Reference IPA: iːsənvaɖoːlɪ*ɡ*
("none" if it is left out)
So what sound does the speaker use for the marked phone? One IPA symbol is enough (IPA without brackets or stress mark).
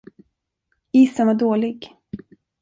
ɡ